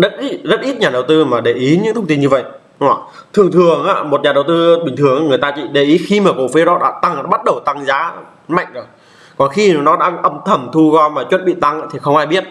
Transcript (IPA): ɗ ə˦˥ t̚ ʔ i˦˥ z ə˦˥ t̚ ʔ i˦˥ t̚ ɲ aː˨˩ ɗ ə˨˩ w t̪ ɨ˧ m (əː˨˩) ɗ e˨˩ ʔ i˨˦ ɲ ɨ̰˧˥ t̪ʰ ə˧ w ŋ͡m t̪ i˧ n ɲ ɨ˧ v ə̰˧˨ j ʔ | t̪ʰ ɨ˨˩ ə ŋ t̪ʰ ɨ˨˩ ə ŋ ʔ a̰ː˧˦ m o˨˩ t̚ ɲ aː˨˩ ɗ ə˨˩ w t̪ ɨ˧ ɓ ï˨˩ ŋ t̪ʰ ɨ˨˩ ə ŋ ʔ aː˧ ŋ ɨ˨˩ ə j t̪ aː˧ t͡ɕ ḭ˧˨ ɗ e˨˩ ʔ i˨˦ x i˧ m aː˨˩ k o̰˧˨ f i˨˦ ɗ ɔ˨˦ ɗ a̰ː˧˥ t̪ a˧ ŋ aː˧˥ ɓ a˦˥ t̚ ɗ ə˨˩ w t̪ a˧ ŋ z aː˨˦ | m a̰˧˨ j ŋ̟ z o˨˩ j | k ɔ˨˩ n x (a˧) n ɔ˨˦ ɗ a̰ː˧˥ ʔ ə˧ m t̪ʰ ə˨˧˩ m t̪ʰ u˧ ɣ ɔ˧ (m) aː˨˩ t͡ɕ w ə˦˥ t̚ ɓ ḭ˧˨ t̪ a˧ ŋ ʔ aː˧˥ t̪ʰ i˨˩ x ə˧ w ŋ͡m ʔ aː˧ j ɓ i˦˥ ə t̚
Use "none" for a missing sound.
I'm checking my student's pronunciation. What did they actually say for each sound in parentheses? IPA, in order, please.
aː˨˩, i˧, m

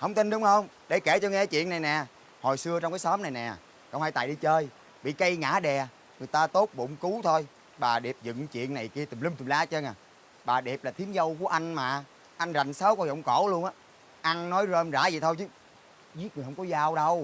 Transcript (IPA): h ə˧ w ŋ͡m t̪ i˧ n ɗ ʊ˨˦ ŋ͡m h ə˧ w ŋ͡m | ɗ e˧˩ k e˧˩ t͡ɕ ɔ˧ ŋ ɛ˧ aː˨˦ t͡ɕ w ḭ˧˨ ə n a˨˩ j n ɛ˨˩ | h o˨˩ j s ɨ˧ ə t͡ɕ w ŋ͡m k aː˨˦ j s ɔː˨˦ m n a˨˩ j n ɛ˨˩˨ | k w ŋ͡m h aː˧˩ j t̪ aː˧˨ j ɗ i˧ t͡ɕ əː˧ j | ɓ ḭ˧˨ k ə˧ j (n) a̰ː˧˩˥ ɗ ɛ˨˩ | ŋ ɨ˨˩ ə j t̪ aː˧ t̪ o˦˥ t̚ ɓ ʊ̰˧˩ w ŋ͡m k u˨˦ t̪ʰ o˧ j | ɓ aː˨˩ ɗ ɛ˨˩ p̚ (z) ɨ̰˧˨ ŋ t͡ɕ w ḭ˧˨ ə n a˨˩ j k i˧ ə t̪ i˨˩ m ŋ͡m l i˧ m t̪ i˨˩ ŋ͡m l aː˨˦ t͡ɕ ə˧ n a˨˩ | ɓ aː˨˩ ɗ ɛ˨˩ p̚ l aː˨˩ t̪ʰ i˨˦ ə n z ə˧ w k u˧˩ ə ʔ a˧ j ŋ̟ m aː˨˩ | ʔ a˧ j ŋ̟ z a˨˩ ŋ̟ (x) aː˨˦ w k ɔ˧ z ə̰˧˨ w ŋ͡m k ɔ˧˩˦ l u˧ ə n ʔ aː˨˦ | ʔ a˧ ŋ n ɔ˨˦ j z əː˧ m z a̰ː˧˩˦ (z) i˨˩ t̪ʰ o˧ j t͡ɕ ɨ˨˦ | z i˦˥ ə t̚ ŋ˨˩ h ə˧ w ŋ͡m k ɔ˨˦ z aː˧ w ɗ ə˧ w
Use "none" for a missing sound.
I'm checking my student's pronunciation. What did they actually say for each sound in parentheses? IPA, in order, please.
ŋ, z, s, z

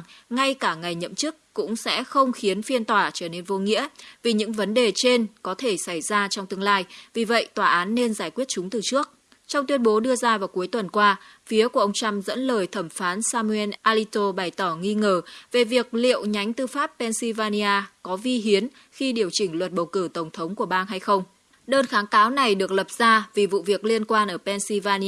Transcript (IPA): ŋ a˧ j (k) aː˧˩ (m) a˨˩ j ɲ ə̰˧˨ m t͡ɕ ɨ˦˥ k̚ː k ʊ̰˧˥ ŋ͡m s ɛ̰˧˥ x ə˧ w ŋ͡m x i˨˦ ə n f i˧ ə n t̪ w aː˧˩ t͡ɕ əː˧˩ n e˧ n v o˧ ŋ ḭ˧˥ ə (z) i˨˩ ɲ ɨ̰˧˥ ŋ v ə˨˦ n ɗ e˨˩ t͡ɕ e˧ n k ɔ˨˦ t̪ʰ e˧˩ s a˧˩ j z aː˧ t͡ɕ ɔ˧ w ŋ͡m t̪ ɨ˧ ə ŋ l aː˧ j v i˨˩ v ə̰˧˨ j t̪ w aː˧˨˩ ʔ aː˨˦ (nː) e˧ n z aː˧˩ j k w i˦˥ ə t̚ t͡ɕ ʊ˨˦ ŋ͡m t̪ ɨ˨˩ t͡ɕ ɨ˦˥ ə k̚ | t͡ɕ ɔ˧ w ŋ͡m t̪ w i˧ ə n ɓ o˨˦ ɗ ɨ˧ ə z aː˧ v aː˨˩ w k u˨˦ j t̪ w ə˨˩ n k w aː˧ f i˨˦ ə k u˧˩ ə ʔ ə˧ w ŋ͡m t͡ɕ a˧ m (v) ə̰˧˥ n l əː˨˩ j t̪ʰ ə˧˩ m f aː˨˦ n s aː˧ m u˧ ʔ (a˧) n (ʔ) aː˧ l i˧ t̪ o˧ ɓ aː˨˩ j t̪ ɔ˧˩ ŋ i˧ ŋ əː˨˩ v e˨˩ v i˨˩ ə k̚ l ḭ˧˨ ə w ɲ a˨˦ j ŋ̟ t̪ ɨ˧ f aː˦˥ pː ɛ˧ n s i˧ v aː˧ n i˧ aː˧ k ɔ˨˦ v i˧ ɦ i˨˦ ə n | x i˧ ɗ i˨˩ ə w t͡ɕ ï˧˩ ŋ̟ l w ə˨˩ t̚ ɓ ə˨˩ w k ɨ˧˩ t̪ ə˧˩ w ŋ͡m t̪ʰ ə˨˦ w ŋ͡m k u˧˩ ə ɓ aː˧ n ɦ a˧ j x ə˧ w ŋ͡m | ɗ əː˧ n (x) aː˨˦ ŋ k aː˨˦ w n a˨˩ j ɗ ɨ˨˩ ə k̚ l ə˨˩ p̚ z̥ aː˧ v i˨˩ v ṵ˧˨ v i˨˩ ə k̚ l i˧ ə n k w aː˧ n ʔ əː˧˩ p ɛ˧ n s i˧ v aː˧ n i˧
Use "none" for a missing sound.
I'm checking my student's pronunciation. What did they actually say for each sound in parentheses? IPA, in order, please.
k, ŋ, v, nː, z, ɛ˧, ʔ, x

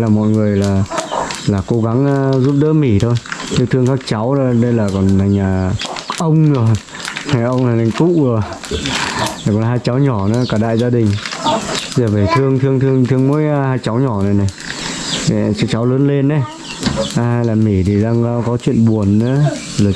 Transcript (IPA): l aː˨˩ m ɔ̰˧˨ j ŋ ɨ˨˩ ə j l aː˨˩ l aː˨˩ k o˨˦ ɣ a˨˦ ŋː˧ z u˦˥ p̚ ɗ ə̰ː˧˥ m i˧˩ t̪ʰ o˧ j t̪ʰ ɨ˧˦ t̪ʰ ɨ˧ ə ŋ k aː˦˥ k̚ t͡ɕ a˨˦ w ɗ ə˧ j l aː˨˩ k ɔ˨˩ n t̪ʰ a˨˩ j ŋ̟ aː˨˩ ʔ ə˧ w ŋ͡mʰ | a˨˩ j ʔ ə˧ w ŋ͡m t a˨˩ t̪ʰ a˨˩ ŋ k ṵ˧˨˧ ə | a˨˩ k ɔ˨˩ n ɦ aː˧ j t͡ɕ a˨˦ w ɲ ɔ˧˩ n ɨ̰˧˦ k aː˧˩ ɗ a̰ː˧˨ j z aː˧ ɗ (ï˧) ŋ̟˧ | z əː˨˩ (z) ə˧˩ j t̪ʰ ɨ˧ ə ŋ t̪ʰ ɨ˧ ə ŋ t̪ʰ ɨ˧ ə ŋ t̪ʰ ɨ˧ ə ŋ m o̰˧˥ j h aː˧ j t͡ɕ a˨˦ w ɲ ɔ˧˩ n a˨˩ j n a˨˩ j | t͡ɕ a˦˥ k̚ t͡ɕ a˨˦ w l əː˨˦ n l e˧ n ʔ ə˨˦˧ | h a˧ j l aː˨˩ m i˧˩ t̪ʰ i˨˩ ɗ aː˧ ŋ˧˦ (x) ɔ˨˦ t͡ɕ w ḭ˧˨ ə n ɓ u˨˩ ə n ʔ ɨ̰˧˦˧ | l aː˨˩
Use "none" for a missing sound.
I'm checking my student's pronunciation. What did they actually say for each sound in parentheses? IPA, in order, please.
ï˨˩, v, k

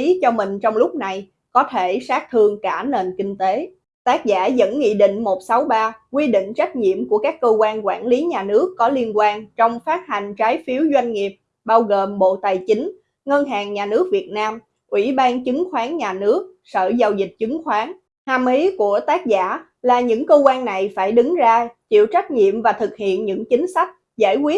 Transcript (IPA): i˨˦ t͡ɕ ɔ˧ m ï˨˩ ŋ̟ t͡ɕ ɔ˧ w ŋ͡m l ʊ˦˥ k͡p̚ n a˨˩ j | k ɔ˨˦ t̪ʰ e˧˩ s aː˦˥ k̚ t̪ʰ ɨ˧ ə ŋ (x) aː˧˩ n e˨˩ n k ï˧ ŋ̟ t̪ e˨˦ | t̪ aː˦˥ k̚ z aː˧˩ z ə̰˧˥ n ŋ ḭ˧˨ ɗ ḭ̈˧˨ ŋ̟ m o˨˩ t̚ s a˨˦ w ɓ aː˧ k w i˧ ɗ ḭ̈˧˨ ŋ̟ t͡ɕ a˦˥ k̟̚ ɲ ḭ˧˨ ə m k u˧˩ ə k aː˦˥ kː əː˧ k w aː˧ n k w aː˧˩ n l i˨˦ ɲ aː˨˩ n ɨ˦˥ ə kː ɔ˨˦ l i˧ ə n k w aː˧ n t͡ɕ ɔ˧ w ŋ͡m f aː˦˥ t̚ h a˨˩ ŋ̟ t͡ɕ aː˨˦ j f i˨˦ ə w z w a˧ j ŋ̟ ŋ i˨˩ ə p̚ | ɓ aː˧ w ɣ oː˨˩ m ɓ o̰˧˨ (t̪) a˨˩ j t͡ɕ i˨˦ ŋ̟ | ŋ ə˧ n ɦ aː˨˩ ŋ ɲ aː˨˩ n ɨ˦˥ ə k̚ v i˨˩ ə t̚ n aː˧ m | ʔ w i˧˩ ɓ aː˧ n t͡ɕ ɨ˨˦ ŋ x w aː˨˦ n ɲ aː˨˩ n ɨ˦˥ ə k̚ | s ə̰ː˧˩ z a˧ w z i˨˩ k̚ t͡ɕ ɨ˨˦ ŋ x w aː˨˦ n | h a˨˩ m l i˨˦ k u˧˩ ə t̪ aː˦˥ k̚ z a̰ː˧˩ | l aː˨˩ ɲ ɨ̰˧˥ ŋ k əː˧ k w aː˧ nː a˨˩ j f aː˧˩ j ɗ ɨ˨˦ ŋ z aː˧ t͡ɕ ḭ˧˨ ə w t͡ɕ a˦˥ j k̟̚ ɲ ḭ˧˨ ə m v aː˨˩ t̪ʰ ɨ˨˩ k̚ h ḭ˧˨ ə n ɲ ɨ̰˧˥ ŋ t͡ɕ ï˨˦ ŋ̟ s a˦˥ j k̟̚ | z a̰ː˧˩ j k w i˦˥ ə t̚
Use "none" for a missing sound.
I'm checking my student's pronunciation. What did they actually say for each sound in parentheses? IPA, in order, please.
k, t̪

